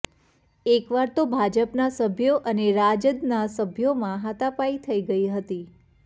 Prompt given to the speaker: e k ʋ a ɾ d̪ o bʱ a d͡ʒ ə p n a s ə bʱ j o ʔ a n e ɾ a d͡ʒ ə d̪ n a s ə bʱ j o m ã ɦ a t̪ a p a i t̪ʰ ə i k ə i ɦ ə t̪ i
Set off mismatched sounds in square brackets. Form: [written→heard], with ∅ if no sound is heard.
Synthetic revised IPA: e k ʋ a ɾ [d̪→t̪] o bʱ a d͡ʒ ə p n a s ə bʱ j o ʔ [a→ə] n e ɾ a d͡ʒ ə d̪ n a s ə bʱ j o m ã ɦ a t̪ a p a i t̪ʰ ə i [k→ɡ] ə i ɦ ə t̪ i